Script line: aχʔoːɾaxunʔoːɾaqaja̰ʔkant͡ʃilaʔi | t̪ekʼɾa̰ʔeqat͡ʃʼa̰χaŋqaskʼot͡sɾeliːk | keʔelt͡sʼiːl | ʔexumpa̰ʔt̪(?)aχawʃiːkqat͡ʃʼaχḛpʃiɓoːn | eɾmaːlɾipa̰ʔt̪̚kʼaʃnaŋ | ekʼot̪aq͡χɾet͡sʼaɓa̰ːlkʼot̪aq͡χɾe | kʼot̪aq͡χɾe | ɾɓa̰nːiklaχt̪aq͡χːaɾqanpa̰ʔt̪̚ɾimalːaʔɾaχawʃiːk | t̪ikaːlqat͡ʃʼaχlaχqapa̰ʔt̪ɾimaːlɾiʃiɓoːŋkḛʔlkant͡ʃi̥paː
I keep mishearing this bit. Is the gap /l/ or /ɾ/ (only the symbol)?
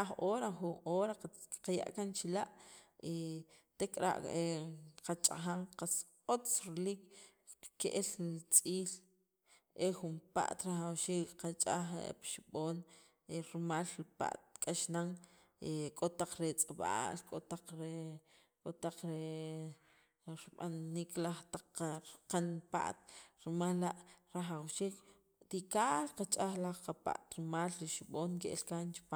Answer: ɾ